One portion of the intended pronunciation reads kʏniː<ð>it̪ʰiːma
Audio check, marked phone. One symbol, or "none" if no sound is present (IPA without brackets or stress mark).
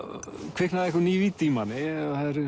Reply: v